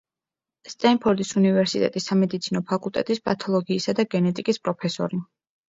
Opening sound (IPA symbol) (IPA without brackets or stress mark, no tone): s